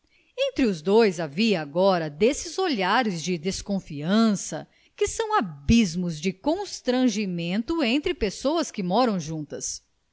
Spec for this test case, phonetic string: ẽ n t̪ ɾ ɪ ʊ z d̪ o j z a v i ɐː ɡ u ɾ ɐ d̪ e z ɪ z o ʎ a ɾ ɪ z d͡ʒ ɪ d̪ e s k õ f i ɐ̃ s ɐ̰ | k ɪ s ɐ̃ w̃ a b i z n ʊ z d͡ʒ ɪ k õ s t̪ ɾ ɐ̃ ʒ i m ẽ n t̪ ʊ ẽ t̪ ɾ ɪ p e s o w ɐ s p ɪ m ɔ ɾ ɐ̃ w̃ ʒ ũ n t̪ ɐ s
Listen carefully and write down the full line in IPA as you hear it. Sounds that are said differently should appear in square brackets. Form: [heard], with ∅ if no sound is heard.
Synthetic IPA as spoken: ẽ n t̪ ɾ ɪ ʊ z d̪ o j z a v i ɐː ɡ [ɔ] ɾ ɐ d̪ e [s] ɪ z o ʎ a ɾ ɪ z d͡ʒ ɪ d̪ e s k õ f i ɐ̃ s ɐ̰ | k ɪ s ɐ̃ w̃ a b i z [m] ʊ z d͡ʒ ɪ k õ s t̪ ɾ ɐ̃ ʒ i m ẽ n t̪ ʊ ẽ t̪ ɾ ɪ p e s o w ɐ s [k] ɪ m ɔ ɾ ɐ̃ w̃ ʒ ũ n t̪ ɐ s